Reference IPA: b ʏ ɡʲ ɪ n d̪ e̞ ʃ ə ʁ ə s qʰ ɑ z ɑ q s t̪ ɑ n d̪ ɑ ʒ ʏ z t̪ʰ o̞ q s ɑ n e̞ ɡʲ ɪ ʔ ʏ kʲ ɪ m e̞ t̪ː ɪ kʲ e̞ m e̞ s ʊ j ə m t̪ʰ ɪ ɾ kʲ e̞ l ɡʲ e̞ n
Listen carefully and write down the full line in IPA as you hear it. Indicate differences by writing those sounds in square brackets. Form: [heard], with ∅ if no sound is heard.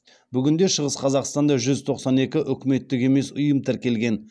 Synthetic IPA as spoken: b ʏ ɡʲ ɪ n d̪ e̞ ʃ ə ʁ ə s qʰ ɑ z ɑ q s t̪ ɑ n d̪ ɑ ʒ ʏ z t̪ʰ o̞ q s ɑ n e̞ [kʲ] ɪ ʔ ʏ kʲ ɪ m e̞ t̪ː ɪ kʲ e̞ m e̞ s ʊ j ə m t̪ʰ ɪ ɾ kʲ e̞ l ɡʲ e̞ n